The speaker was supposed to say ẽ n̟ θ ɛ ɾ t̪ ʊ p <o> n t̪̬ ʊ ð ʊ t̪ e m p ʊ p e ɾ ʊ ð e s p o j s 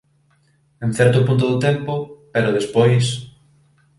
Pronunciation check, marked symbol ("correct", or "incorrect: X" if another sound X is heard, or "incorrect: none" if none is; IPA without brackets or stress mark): incorrect: u